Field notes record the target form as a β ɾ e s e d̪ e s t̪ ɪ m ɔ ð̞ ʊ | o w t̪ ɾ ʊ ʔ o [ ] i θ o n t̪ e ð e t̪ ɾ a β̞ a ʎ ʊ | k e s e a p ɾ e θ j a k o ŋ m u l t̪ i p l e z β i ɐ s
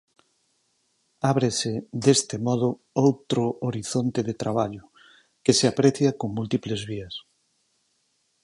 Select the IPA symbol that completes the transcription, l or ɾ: ɾ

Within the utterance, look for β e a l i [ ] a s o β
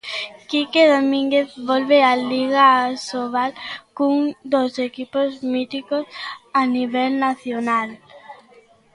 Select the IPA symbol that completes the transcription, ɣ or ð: ɣ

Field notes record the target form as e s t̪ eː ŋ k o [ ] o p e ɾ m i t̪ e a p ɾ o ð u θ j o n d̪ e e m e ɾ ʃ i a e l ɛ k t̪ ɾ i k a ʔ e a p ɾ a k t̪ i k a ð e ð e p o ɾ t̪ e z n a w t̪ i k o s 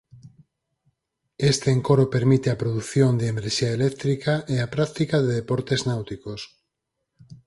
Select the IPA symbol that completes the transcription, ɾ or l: ɾ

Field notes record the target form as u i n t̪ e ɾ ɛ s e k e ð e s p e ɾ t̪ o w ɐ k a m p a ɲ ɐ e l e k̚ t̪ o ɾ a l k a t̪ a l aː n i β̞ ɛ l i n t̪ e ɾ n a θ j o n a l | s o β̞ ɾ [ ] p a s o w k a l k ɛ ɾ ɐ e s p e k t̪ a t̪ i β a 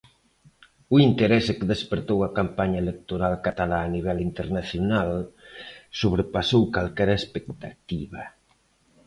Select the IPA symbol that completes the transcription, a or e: e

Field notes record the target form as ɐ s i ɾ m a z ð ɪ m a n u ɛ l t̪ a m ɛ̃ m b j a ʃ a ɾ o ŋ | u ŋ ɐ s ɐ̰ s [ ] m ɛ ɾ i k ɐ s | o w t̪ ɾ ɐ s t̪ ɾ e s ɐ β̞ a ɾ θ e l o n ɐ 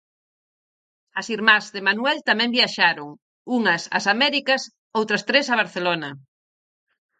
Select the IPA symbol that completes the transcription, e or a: a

